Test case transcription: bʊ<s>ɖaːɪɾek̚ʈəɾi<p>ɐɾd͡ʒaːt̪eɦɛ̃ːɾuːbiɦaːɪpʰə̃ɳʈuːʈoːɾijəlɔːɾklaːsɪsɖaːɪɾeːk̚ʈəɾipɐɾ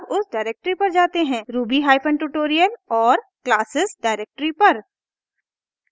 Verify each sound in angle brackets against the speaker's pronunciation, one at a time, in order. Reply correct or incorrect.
correct, correct

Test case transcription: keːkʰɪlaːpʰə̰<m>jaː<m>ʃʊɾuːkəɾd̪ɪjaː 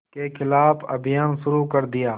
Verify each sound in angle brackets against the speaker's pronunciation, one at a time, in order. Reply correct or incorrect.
incorrect: b, incorrect: n

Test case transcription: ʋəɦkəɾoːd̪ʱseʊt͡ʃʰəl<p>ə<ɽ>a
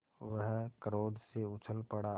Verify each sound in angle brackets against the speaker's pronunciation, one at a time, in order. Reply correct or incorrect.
correct, correct

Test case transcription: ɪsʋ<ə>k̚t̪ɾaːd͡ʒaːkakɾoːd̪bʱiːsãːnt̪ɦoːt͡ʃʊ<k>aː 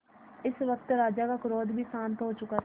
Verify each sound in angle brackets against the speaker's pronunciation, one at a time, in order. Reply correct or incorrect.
correct, correct

